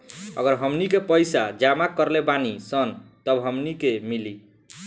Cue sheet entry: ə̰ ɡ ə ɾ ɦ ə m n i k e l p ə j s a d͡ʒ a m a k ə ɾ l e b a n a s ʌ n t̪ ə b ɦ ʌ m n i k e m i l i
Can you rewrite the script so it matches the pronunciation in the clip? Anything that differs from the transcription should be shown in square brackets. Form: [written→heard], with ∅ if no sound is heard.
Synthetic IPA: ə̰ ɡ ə ɾ ɦ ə m n i k e [l→∅] p ə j s a d͡ʒ a m a k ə ɾ l e b a n [a→i] s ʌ n t̪ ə b ɦ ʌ m n i k e m i l i